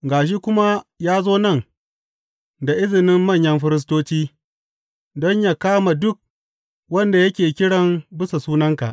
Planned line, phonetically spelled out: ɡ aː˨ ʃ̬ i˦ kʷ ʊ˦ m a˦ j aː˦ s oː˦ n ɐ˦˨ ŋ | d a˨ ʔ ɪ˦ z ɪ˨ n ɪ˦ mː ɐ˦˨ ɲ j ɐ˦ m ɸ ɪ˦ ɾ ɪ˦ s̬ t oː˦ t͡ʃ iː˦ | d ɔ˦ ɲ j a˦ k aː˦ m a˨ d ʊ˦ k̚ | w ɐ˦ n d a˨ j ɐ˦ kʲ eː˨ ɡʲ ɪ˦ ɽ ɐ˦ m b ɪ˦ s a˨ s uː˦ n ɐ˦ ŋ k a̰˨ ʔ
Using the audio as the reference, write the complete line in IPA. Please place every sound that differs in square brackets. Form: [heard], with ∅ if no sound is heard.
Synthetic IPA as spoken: ɡ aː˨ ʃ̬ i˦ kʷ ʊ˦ m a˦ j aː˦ [z] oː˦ n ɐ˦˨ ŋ | d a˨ ʔ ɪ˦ z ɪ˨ n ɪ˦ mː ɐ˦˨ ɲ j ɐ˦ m ɸ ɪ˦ ɾ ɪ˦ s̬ t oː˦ t͡ʃ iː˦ | d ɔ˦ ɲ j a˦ k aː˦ m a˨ d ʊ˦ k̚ | w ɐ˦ n d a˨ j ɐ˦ kʲ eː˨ [kʲ] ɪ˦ ɽ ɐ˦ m b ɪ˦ s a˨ s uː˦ n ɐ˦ ŋ k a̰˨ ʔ